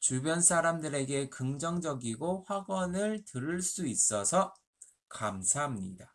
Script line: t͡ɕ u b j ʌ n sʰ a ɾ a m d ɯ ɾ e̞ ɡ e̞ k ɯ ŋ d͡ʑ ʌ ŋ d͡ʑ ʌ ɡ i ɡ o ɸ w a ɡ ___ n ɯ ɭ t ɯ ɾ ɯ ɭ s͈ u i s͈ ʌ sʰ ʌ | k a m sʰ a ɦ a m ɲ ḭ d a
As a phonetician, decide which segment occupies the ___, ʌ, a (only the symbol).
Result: ʌ